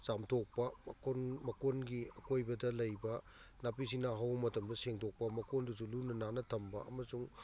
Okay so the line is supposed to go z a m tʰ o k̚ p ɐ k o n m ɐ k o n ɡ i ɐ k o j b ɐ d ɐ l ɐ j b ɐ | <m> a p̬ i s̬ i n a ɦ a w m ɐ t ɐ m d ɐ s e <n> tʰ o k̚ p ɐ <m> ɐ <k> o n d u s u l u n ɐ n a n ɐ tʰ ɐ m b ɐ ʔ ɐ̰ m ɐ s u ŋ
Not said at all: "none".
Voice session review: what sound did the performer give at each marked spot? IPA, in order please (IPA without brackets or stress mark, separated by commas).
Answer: n, ŋ, m, k